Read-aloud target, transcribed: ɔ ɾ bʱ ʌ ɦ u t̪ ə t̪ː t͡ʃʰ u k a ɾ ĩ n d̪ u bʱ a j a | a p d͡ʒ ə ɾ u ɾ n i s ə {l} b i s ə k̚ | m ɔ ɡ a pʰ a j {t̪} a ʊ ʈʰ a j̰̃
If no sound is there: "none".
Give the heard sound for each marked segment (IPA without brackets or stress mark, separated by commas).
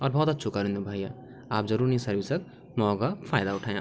ɾ, d̪